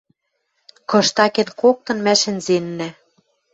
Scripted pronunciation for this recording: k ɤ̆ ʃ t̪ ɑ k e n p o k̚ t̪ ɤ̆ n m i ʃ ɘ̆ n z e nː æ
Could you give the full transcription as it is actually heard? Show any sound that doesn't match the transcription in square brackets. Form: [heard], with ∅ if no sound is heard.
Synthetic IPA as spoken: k ɤ̆ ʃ t̪ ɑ k e n [k] o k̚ t̪ ɤ̆ n m [æ] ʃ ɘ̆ n z e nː æ